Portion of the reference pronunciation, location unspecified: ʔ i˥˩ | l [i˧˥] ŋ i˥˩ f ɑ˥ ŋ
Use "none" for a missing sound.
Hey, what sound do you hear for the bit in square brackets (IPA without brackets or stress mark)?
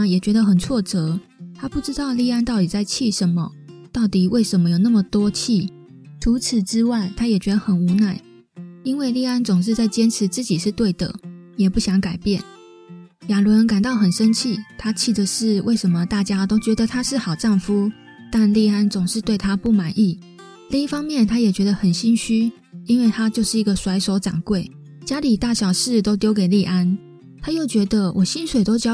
i˥˧